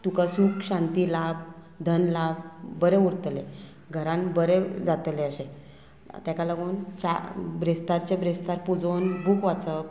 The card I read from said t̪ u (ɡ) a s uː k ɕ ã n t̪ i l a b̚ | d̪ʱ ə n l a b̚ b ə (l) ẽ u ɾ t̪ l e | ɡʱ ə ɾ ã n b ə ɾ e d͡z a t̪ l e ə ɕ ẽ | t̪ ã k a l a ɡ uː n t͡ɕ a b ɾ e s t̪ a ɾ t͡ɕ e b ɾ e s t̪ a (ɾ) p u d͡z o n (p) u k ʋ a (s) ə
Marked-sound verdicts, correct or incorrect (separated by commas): incorrect, incorrect, correct, incorrect, incorrect